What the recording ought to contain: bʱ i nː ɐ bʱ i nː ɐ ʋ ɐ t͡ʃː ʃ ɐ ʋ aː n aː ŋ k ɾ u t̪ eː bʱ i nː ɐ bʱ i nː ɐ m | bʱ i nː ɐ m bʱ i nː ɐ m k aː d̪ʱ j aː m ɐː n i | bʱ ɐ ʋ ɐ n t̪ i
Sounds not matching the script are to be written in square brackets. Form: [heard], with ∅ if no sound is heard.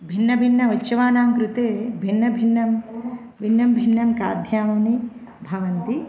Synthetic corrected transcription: bʱ i nː ɐ bʱ i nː ɐ ʋ ɐ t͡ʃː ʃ ɐ ʋ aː n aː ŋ k ɾ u t̪ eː bʱ i nː ɐ bʱ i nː ɐ m | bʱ i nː ɐ m bʱ i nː ɐ m k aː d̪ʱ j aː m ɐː n i | bʱ ɐ ʋ ɐ n t̪ i